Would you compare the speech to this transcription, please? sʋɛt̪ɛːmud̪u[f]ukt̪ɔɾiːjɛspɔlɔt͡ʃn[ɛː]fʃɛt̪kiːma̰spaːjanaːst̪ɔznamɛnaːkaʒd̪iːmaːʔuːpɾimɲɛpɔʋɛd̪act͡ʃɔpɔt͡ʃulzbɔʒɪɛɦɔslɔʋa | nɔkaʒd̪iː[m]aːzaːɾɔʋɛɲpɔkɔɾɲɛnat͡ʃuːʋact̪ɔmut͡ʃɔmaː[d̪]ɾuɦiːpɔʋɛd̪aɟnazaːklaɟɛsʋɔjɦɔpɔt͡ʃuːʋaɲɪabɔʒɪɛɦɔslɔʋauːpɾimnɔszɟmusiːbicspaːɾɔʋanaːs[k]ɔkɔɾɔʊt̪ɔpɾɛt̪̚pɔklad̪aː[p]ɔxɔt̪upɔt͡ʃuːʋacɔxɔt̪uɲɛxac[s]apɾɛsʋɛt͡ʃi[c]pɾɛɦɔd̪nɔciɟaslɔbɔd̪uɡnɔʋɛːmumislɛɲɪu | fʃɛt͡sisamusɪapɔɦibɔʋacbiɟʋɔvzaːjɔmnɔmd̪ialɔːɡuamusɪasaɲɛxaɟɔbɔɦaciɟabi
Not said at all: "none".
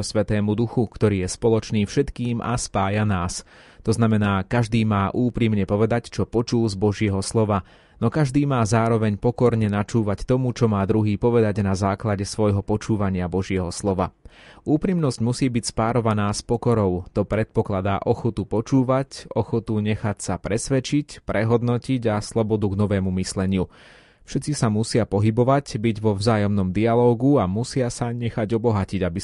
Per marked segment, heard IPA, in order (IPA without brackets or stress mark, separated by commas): x, iː, m, d̪, p, ʔ, s, c